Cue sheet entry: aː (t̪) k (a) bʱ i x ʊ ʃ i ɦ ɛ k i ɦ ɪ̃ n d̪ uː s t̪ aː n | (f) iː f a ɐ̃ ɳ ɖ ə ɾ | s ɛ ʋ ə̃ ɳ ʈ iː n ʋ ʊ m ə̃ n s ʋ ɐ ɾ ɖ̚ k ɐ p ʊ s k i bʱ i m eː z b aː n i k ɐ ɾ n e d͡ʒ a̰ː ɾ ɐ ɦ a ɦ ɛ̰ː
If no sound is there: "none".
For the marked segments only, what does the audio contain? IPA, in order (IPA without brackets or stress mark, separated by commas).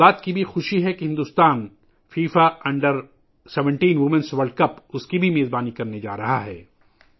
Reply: t̪, i, f